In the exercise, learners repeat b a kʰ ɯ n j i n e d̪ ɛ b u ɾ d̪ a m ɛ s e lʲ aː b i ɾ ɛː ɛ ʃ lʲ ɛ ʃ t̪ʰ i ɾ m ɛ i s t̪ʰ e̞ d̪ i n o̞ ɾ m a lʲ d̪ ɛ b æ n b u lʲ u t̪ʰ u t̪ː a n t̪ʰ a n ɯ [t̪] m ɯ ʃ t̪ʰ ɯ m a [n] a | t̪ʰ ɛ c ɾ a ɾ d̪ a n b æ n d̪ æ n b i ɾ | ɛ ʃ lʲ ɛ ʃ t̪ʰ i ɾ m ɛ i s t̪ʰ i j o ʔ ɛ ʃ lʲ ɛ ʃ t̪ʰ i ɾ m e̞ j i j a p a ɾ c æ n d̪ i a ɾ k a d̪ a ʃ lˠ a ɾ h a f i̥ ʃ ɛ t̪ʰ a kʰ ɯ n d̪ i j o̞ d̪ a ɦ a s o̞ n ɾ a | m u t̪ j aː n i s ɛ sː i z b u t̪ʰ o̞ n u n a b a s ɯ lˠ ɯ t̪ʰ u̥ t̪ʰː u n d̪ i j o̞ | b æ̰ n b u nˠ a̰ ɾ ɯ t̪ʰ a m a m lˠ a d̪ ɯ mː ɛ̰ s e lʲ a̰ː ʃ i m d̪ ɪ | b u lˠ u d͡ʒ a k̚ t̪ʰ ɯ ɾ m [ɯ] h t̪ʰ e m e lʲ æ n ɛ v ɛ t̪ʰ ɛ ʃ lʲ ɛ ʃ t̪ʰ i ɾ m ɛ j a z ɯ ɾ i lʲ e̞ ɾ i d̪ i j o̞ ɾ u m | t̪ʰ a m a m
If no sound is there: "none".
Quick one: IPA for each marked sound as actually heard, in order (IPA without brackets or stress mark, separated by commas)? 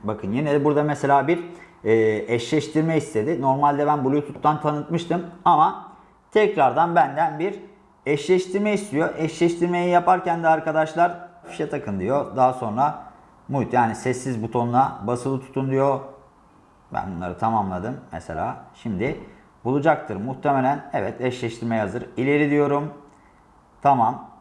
t̪, m, u